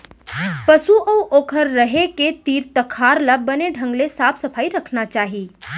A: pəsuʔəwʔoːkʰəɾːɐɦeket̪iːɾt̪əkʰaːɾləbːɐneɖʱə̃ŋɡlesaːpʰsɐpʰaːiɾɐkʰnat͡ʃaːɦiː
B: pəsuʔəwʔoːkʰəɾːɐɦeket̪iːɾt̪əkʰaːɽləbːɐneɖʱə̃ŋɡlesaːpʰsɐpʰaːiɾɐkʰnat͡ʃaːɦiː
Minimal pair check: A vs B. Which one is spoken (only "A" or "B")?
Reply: A